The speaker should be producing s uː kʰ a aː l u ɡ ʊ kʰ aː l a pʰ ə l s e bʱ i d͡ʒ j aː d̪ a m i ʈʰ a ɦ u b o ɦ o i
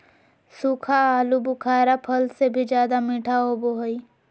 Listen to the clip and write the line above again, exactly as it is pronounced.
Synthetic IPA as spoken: s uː kʰ a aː l u b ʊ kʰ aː ɾ a pʰ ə l s e bʱ i d͡ʒ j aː d̪ a m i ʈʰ a ɦ o b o ɦ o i